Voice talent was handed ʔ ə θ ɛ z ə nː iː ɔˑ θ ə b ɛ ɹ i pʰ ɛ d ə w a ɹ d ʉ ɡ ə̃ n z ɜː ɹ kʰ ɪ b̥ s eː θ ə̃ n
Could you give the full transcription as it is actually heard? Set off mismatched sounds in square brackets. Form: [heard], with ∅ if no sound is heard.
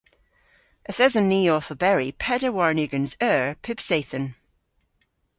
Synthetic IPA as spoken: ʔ ə θ ɛ z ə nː iː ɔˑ θ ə b ɛ ɹ i pʰ ɛ d ə w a ɹ [n] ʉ ɡ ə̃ n z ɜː ɹ [pʰ] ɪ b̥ s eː θ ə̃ n